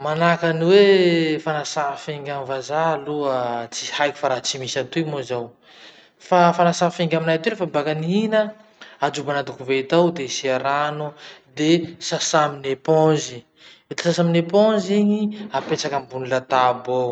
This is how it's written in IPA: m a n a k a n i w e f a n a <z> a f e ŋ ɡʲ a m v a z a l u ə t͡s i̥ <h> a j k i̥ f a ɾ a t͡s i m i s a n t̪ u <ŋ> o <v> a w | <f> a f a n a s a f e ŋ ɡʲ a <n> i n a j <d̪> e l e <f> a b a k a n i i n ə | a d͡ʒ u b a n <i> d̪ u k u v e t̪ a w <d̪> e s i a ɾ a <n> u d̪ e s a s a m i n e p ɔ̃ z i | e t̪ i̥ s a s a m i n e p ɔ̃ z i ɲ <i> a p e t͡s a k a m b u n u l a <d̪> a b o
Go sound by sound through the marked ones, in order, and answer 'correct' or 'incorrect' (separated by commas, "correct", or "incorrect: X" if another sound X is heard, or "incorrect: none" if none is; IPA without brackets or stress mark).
incorrect: s, correct, incorrect: m, incorrect: z, correct, incorrect: m, incorrect: t̪, correct, incorrect: a, correct, correct, correct, incorrect: t̪